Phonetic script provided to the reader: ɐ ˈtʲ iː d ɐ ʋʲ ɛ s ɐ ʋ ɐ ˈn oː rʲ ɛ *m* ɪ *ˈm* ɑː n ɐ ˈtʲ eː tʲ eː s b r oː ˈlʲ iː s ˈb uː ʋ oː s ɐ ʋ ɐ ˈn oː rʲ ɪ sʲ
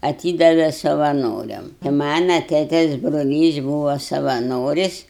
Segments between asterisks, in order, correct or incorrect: correct, correct

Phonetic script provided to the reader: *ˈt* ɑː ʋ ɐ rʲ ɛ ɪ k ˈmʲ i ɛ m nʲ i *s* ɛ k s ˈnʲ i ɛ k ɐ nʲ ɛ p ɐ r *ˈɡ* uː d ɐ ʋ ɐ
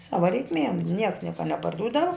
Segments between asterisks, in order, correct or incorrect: incorrect: s, incorrect: none, incorrect: d

